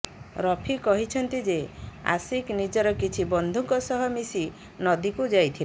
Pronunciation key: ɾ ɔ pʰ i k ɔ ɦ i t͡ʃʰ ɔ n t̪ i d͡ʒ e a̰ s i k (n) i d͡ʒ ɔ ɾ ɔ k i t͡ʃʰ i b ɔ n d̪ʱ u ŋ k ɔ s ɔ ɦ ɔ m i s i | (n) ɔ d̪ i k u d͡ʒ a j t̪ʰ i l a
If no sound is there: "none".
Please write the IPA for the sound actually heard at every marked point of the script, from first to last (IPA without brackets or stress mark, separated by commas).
n, n